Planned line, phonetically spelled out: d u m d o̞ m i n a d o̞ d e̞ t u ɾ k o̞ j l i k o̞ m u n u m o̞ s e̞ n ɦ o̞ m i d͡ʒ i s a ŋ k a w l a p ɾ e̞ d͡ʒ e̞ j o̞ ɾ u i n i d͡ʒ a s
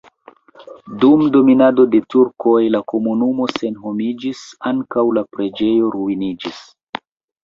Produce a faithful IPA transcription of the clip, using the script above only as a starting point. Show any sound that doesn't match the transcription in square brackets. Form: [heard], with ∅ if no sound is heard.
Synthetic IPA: d u m d o̞ m i n a d o̞ d e̞ t u ɾ k o̞ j l [a] k o̞ m u n u m o̞ s e̞ n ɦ o̞ m i d͡ʒ i s a ŋ k a w l a p ɾ e̞ d͡ʒ e̞ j o̞ ɾ u i n i d͡ʒ [i] s